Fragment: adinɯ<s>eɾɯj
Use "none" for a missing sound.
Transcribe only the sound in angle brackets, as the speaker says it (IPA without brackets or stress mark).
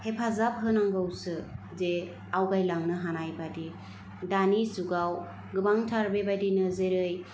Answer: z